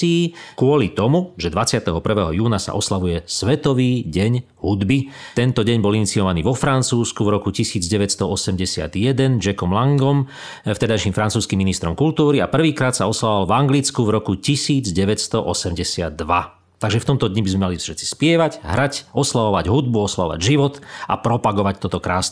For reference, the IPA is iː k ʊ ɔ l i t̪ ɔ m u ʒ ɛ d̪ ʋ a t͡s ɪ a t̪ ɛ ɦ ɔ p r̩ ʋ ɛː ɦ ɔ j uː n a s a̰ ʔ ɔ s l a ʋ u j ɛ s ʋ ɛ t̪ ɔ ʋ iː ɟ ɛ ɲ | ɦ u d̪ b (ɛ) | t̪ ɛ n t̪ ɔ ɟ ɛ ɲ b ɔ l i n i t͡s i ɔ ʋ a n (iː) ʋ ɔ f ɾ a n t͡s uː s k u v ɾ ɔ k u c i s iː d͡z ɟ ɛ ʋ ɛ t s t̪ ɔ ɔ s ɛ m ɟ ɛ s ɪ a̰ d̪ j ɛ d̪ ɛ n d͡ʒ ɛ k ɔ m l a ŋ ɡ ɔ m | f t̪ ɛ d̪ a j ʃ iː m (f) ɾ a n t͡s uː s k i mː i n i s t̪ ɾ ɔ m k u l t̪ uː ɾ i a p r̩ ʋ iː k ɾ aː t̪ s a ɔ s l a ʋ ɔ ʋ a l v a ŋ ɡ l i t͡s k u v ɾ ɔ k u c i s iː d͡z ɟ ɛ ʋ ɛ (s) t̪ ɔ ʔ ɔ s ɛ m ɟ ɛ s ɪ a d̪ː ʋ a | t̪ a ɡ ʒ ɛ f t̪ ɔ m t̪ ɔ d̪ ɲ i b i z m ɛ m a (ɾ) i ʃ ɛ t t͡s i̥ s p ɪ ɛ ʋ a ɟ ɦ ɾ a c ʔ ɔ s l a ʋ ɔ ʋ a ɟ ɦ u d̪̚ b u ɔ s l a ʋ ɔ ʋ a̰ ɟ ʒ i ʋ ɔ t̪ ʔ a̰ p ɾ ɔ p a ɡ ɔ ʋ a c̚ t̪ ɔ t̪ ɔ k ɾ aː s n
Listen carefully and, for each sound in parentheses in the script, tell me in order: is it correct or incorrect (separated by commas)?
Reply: incorrect, correct, correct, correct, incorrect